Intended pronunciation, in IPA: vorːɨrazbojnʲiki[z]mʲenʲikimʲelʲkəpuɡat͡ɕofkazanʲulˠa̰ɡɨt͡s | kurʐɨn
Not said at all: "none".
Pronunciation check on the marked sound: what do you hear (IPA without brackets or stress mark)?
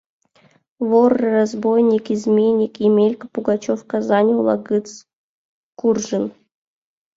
z